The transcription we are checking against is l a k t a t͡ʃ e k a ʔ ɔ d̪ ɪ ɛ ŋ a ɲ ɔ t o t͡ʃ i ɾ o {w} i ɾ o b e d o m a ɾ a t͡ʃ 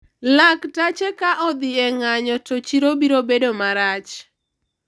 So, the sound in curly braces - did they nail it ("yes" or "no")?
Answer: no